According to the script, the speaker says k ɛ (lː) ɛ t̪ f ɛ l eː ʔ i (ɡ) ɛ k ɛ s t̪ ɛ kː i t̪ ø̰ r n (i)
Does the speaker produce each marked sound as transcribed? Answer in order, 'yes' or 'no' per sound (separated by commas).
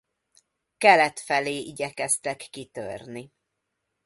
no, no, yes